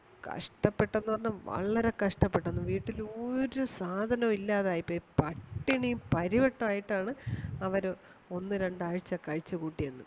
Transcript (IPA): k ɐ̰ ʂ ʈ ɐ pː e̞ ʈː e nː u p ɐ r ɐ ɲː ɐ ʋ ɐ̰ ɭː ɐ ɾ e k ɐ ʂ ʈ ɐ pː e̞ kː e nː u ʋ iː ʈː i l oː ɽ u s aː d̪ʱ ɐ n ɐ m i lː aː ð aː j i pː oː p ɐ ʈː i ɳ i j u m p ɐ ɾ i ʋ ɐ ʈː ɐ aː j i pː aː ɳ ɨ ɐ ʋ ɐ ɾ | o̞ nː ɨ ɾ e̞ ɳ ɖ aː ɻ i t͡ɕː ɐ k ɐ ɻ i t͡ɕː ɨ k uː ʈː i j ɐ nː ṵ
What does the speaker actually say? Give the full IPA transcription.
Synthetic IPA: k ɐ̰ ʂ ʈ ɐ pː e̞ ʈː e nː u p ɐ r ɐ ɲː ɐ ʋ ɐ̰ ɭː ɐ ɾ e k ɐ ʂ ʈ ɐ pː e̞ ʈː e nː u ʋ iː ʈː i l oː ɾ u s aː d̪ʱ ɐ n ɐ m i lː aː ð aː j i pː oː p ɐ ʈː i ɳ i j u m p ɐ ɾ i ʋ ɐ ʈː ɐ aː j i ʈː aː ɳ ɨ ɐ ʋ ɐ ɾ | o̞ nː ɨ ɾ e̞ ɳ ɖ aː ɻ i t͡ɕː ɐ k ɐ ɻ i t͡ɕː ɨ k uː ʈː i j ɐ nː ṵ

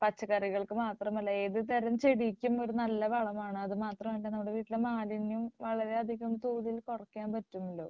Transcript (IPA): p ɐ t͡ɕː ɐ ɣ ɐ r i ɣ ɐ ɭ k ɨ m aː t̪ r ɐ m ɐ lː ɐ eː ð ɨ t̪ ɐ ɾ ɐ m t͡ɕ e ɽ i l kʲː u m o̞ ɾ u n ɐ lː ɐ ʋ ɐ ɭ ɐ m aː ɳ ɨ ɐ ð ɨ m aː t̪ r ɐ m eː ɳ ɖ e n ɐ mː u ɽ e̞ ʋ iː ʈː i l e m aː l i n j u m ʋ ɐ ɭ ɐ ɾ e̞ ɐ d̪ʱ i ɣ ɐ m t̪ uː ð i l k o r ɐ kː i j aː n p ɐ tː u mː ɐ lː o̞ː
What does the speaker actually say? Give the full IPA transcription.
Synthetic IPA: p ɐ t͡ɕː ɐ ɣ ɐ r i ɣ ɐ ɭ k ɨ m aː t̪ r ɐ m ɐ lː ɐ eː ð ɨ t̪ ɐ ɾ ɐ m t͡ɕ e ɽ i kʲː u m o̞ ɾ u n ɐ lː ɐ ʋ ɐ ɭ ɐ m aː ɳ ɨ ɐ ð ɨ m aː t̪ r ɐ m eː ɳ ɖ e n ɐ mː u ɽ e̞ ʋ iː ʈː i l e m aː l i n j u m ʋ ɐ ɭ ɐ ɾ e̞ ɐ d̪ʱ i ɣ ɐ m t̪ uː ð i l k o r ɐ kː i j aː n p ɐ tː u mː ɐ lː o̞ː

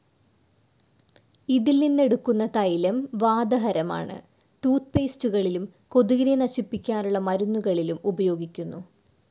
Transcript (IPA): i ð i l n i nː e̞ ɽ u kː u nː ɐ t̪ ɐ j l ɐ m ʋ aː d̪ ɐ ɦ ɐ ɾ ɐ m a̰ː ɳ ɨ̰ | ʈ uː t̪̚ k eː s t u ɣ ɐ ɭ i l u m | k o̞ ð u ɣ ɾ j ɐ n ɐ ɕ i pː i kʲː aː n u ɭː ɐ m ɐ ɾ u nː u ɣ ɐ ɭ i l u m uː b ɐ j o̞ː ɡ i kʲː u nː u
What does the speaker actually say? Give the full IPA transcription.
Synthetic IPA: i ð i l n i nː e̞ ɽ u kː u nː ɐ t̪ ɐ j l ɐ m ʋ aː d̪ ɐ ɦ ɐ ɾ ɐ m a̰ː ɳ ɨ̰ | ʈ uː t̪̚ p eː s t u ɣ ɐ ɭ i l u m | k o̞ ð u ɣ ɾ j ɐ n ɐ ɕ i pː i kʲː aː n u ɭː ɐ m ɐ ɾ u nː u ɣ ɐ ɭ i l u m u b ɐ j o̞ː ɡ i kʲː u nː u

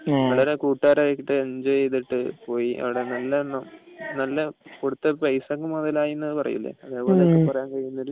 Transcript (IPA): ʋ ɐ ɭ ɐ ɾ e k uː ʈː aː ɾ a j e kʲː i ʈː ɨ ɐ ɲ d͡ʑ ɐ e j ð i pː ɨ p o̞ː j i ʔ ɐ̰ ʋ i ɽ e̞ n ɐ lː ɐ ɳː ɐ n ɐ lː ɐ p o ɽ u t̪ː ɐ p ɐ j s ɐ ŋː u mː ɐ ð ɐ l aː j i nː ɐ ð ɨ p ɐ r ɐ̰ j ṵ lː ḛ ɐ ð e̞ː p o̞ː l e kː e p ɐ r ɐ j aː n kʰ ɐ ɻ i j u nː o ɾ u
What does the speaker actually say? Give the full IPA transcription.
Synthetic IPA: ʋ ɐ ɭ ɐ ɾ e k uː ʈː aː ɾ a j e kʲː i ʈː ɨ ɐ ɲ d͡ʑ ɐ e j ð i ʈː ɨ p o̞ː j i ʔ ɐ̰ ʋ i ɽ e̞ n ɐ lː ɐ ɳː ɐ n ɐ lː ɐ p o ɽ u t̪ː ɐ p ɐ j s ɐ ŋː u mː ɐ ð ɐ l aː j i nː ɐ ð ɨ p ɐ r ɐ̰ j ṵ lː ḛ ɐ ð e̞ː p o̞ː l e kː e p ɐ r ɐ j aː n k ɐ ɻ i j u nː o ɾ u

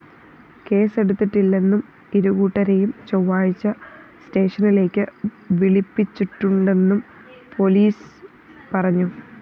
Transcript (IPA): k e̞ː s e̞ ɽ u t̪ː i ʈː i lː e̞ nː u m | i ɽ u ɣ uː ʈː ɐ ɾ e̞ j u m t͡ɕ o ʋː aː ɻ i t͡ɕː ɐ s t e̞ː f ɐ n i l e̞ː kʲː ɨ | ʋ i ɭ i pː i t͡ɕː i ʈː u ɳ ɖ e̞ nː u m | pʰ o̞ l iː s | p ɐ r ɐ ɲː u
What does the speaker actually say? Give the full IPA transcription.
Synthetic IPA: k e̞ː s e̞ ɽ u t̪ː i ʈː i lː e̞ nː u m | i ɾ u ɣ uː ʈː ɐ ɾ e̞ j u m t͡ɕ o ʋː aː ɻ i t͡ɕː ɐ s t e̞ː ʂ ɐ n i l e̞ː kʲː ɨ | ʋ i ɭ i pː i t͡ɕː i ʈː u ɳ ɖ e̞ nː u m | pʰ o̞ l iː s | p ɐ r ɐ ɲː u

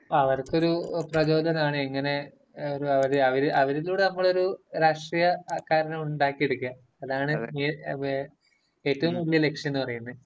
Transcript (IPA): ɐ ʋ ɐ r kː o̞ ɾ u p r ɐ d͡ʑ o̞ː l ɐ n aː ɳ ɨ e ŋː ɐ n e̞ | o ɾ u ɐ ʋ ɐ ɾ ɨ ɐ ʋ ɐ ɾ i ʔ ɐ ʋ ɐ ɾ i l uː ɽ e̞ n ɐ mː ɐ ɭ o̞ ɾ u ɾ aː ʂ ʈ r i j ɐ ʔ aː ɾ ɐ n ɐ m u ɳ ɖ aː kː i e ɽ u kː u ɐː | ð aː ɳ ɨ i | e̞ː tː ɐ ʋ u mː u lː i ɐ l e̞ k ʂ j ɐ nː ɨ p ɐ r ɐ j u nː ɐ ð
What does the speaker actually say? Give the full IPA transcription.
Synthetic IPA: ɐ ʋ ɐ r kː o̞ ɾ u p r ɐ d͡ʑ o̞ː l ɐ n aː ɳ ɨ e ŋː ɐ n e̞ | o ɾ u ɐ ʋ ɐ ɾ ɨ ɐ ʋ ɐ ɾ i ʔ ɐ ʋ ɐ ɾ i l uː ɽ e̞ n ɐ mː ɐ ɭ o̞ ɾ u ɾ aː ʂ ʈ r i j ɐ k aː ɾ ɐ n ɐ m u ɳ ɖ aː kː i e ɽ u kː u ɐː | ð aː ɳ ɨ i | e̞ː tː ɐ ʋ u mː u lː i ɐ l e̞ k ʂ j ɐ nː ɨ p ɐ r ɐ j u nː ɐ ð

